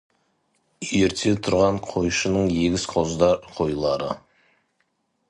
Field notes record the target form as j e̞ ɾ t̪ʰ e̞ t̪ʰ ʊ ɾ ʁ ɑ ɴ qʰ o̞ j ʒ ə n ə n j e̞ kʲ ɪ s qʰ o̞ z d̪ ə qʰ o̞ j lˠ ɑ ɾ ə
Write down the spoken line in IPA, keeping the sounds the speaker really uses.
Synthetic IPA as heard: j e̞ ɾ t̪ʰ e̞ t̪ʰ ʊ ɾ ʁ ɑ ɴ qʰ o̞ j ʃ ə n ə ɴ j e̞ ɡʲ ɪ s qʰ o̞ z d̪ ɑ qʰ o̞ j lˠ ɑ ɾ ə